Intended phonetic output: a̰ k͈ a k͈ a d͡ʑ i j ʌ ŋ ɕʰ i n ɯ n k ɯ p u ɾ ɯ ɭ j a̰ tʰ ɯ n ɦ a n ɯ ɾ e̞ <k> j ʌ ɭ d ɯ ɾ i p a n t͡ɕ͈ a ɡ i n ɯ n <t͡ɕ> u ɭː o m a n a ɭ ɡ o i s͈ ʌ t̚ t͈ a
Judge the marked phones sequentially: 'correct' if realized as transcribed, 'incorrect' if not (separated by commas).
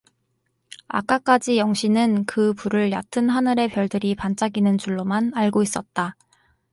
incorrect, correct